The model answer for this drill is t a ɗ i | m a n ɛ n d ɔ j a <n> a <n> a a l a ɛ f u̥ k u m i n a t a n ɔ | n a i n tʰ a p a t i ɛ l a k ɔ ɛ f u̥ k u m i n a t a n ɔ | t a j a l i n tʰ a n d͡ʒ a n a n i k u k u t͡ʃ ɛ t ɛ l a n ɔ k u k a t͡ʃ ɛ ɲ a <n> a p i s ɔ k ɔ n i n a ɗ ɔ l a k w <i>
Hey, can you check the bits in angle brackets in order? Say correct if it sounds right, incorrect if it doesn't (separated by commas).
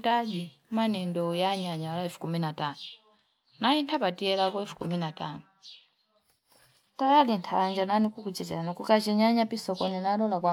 incorrect, incorrect, incorrect, incorrect